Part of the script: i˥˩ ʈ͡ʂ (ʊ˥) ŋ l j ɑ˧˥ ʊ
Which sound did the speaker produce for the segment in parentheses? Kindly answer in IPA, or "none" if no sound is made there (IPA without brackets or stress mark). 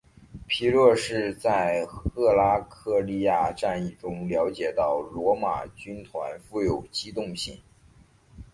ʊ˥